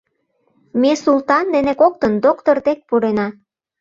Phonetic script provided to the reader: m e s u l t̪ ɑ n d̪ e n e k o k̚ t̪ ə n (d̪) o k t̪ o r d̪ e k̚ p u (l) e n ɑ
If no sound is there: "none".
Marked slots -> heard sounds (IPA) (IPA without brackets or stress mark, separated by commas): d̪, ɾ